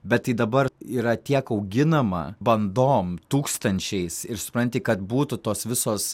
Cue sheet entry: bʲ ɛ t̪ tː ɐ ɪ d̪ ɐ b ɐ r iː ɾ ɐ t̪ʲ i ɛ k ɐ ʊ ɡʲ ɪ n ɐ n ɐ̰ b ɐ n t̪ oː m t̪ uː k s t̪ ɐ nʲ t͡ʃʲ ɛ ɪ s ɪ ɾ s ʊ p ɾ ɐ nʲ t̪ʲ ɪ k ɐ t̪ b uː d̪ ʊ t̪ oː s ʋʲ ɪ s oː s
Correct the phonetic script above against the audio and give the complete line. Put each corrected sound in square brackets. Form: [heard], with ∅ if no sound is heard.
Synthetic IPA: bʲ ɛ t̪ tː ɐ ɪ d̪ ɐ b ɐ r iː ɾ ɐ t̪ʲ i ɛ k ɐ ʊ ɡʲ ɪ n ɐ [m] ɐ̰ b ɐ n [d̪] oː m t̪ uː k s t̪ ɐ nʲ t͡ʃʲ ɛ ɪ s ɪ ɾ s ʊ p ɾ ɐ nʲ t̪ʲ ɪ k ɐ t̪ b uː [t̪] ʊ t̪ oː s ʋʲ ɪ s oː s